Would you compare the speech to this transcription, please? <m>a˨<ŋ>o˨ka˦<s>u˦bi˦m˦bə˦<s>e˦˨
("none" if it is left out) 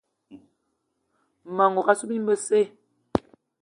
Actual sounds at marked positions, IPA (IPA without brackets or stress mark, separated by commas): m, ŋ, s, s